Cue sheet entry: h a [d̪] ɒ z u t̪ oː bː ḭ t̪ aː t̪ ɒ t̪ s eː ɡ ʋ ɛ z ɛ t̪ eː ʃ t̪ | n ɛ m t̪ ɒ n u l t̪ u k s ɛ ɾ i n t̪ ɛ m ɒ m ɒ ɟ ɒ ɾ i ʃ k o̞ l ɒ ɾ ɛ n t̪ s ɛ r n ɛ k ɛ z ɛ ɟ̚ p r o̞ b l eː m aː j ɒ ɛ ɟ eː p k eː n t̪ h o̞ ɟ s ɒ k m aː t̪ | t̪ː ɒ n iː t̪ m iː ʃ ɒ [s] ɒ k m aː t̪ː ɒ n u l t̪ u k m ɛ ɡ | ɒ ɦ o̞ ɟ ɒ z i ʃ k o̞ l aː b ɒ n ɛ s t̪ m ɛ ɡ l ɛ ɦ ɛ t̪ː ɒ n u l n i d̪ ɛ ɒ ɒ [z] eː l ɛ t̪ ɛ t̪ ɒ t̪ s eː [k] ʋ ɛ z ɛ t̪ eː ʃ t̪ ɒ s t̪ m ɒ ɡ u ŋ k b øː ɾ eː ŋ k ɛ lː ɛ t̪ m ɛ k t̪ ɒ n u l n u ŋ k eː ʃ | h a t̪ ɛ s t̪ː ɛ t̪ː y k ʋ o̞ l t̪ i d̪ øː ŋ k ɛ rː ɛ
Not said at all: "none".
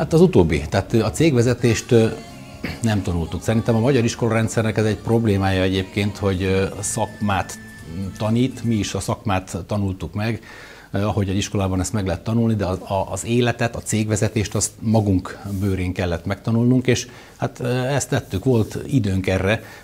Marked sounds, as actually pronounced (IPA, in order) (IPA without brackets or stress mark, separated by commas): t̪, s, z, ɡ